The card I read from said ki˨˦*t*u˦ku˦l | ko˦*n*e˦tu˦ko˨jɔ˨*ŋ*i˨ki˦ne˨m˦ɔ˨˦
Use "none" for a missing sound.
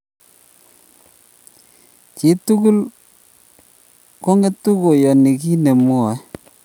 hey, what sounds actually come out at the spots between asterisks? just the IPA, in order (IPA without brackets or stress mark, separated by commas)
t, ŋ, n